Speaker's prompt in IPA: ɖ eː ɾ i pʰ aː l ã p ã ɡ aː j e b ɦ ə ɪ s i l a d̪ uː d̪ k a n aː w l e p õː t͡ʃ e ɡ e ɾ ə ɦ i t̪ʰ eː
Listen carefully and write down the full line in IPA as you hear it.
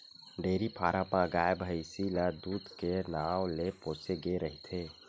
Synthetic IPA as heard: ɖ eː ɾ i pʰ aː ɾ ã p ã ɡ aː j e b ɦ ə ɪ s i l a d̪ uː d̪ k e n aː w l e p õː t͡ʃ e ɡ e ɾ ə ɦ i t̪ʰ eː